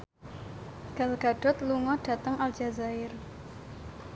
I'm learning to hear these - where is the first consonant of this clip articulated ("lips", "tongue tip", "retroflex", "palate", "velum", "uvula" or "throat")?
velum